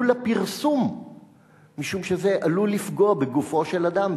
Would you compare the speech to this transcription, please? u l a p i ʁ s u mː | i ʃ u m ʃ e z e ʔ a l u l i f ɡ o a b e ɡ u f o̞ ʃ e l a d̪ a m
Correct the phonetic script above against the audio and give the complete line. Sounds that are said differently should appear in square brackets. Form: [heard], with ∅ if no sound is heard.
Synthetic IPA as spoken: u l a p i ʁ s u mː | i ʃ u m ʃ e z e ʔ a l u l i f ɡ o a b e ɡ u f o̞ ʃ e l a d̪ a m